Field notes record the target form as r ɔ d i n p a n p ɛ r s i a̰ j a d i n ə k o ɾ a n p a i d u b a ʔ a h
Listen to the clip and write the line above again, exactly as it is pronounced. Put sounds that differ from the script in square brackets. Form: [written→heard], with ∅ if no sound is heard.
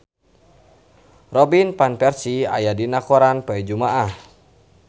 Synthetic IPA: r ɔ [d→b] i n p a n p ɛ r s i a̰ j a d i n [ə→a] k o ɾ a n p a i [d→d͡ʒ] u [b→m] a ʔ a h